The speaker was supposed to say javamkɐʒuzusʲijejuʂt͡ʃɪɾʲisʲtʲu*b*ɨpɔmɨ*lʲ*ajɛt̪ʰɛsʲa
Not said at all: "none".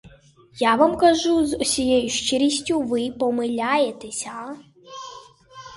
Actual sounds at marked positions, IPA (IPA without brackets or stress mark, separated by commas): v, lʲ